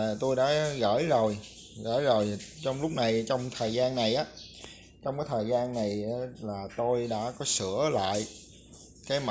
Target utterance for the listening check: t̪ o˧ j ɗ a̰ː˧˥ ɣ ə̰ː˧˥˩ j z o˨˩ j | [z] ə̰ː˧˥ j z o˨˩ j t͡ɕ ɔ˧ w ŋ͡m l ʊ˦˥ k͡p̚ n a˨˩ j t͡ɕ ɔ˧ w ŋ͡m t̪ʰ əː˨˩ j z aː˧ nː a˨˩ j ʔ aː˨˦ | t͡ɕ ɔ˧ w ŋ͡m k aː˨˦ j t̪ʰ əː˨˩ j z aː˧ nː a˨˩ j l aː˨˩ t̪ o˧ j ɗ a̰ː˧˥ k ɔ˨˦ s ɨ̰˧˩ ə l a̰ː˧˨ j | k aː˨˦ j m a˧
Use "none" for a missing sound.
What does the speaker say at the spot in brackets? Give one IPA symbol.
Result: ɣ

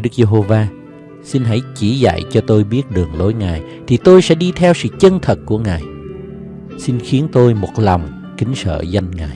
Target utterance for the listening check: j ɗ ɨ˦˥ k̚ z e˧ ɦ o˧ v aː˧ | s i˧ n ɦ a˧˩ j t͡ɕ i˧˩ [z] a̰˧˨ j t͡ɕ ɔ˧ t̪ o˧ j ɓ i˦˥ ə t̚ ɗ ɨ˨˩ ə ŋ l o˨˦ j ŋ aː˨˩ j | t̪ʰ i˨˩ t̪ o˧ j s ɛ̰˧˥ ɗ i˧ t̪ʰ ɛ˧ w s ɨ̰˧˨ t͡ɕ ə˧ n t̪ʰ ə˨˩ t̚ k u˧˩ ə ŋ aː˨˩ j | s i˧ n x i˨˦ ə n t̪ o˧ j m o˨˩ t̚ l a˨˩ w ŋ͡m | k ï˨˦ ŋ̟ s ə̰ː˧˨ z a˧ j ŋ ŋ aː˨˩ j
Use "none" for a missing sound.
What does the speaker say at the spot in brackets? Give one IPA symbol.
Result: z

